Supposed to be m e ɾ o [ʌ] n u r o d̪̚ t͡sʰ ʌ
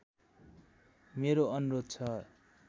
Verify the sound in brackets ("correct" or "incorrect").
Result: correct